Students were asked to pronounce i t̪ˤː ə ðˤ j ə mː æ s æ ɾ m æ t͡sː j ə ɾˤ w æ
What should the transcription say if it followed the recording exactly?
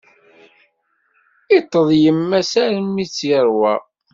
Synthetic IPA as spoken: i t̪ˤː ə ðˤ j ə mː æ s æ ɾ m i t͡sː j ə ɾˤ w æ